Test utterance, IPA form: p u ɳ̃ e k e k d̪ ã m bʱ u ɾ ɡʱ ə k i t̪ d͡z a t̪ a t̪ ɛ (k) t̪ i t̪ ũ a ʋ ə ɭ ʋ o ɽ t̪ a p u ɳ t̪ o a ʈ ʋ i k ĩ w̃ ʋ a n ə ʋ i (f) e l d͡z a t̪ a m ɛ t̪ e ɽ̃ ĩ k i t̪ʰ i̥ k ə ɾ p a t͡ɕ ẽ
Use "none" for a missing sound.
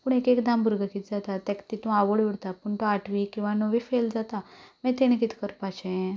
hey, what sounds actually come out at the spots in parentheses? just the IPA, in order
k, f

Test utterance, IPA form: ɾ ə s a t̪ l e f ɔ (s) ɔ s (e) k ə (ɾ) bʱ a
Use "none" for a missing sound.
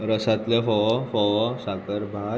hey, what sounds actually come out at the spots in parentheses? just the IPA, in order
f, a, ɾ

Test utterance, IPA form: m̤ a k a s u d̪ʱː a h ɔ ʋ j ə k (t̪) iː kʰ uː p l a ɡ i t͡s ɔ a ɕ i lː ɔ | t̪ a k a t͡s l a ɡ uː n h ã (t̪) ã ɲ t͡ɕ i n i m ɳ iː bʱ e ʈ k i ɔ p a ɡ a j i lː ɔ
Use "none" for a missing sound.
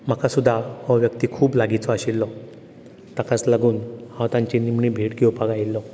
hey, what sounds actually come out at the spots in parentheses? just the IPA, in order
t̪, t̪

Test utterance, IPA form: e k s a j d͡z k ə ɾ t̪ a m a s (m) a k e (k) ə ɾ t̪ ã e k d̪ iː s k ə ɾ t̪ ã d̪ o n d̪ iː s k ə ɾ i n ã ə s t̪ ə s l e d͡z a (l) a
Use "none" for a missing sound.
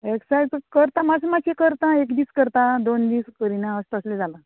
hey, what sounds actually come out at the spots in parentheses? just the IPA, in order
m, k, l

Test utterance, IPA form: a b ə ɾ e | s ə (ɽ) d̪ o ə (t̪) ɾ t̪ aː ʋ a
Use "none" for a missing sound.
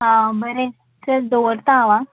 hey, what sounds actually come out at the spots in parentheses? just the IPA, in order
ɾ, none

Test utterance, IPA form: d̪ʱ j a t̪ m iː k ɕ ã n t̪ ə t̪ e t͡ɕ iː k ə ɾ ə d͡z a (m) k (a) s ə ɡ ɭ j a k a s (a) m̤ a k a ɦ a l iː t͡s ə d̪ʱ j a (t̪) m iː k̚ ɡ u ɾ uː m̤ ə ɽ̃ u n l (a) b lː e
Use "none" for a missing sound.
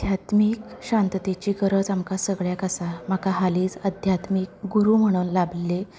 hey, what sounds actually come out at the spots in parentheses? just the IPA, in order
m, a, a, t̪, a

